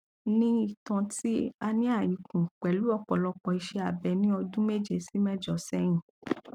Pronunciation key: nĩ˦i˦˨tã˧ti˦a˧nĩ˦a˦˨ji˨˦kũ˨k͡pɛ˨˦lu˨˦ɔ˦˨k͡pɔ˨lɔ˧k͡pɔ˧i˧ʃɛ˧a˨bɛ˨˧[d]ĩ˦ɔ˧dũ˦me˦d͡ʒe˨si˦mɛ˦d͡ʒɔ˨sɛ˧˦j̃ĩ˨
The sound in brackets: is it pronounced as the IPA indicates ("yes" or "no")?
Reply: no